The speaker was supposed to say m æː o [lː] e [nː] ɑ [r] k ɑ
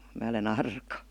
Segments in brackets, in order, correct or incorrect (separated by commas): incorrect, incorrect, correct